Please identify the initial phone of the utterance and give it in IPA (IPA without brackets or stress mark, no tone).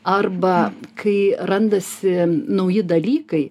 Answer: ɐ